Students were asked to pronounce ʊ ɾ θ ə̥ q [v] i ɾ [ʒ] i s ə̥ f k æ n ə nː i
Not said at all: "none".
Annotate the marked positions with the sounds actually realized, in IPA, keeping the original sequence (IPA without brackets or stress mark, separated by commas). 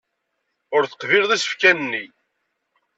v, ð